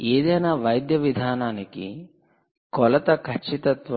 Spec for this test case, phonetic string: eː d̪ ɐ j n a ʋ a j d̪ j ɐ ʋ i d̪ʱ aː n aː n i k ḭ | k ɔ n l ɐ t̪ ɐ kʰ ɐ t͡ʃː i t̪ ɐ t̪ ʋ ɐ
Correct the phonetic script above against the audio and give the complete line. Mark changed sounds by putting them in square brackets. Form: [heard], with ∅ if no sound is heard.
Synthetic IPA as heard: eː d̪ ɐ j n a ʋ [ɐ] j d̪ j ɐ ʋ i d̪ʱ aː n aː n i k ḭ | k ɔ [∅] l ɐ t̪ ɐ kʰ ɐ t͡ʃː i t̪ ɐ t̪ ʋ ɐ